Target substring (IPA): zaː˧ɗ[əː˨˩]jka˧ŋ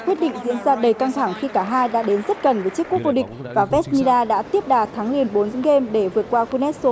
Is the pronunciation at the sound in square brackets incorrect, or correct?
incorrect